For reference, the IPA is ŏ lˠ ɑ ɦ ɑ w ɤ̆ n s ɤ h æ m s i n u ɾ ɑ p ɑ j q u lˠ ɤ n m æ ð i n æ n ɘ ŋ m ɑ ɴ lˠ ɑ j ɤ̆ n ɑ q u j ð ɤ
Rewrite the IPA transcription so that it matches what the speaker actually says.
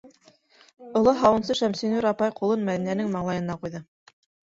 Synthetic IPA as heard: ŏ lˠ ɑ ɦ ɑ w ɤ̆ n s ɤ ʃ æ m s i n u ɾ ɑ p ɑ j q u lˠ ɤ n m æ ð i n æ n ɘ ŋ m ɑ ɴ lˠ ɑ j ɤ̆ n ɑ q u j ð ɤ